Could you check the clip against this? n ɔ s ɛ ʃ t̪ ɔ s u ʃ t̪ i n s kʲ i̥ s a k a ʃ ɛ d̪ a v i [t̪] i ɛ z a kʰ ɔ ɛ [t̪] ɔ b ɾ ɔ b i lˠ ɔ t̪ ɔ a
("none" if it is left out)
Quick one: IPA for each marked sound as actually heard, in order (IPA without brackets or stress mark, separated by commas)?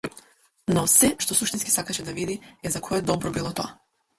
d̪, d̪